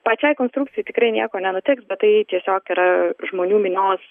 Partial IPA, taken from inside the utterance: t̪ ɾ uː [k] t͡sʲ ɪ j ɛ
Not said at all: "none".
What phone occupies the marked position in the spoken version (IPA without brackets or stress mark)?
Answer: k